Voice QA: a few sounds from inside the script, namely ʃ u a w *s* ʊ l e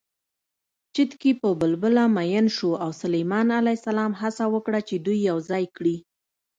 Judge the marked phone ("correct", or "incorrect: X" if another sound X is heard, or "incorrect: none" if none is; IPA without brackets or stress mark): correct